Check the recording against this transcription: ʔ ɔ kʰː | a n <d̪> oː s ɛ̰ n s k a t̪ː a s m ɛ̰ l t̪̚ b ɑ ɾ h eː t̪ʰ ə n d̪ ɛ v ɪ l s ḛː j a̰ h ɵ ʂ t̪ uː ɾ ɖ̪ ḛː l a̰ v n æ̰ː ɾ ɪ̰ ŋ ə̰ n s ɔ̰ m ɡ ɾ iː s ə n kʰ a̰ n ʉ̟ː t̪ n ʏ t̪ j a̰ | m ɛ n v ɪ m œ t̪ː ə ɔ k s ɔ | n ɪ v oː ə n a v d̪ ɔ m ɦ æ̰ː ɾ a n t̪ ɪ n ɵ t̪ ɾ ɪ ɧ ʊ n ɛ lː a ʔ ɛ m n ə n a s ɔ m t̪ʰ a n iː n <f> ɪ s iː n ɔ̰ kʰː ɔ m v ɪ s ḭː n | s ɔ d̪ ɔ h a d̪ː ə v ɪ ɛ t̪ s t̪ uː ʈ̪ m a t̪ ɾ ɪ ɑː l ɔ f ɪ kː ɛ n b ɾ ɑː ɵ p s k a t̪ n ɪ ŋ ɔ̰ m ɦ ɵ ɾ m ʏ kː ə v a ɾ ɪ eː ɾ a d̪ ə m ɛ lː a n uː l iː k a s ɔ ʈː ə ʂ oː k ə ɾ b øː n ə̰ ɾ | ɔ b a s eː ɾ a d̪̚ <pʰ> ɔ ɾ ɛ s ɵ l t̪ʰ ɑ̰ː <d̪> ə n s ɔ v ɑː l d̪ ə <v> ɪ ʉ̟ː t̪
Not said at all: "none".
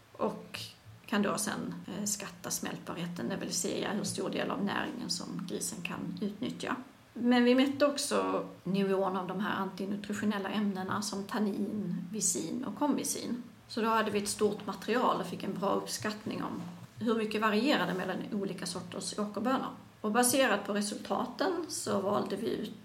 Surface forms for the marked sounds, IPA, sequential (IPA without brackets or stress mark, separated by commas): d̪, v, pʰ, t̪, v